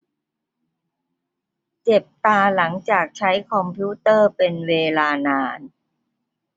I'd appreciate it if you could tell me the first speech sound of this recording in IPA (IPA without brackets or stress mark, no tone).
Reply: t͡ɕ